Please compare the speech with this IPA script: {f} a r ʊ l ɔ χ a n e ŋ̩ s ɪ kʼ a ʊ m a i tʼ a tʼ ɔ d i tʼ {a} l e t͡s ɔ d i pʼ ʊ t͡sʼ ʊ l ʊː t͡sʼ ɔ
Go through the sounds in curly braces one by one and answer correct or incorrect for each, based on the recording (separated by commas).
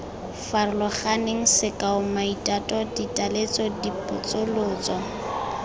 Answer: correct, correct